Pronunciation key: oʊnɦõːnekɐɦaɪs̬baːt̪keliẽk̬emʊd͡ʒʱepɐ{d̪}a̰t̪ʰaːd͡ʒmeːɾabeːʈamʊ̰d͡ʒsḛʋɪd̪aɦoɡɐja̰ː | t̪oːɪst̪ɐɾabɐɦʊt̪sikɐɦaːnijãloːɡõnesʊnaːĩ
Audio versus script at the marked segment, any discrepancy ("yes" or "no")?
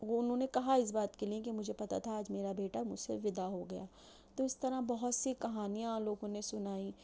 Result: yes